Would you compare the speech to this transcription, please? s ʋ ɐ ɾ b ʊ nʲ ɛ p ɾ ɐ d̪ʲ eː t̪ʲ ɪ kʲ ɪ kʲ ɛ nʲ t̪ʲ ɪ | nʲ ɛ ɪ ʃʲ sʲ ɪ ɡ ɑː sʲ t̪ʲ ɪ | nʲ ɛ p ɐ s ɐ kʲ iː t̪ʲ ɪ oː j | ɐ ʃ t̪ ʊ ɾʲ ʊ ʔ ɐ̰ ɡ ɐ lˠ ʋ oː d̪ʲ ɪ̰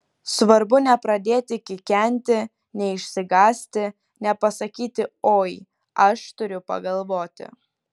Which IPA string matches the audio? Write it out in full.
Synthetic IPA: s ʋ ɐ ɾ b ʊ nʲ ɛ p ɾ ɐ d̪ʲ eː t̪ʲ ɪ kʲ ɪ kʲ ɛ nʲ t̪ʲ ɪ | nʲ ɛ ɪ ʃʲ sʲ ɪ ɡ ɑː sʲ t̪ʲ ɪ | nʲ ɛ p ɐ s ɐ kʲ iː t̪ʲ ɪ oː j | ɐ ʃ t̪ ʊ ɾʲ ʊ p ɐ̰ ɡ ɐ lˠ ʋ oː t̪ʲ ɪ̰